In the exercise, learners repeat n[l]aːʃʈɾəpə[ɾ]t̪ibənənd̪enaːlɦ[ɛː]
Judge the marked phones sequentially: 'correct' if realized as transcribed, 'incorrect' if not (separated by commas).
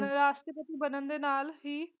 incorrect, incorrect, incorrect